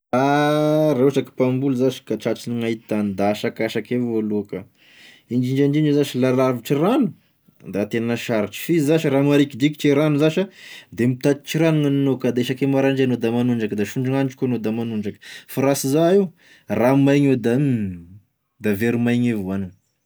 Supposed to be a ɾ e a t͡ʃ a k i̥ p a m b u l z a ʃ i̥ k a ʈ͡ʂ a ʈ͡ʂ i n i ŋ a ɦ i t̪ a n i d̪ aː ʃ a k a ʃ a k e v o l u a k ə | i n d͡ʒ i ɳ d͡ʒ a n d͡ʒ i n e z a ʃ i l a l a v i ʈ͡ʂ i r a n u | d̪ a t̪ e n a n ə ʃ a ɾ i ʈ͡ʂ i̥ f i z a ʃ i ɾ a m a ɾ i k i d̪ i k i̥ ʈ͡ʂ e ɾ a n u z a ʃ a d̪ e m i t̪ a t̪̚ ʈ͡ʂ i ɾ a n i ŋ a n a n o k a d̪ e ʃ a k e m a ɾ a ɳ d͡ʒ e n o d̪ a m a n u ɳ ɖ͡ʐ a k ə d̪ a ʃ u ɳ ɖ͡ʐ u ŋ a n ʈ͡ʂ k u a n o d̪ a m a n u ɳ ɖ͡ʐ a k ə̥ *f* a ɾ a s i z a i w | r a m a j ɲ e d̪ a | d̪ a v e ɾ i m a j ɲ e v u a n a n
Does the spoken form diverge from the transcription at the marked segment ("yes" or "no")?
no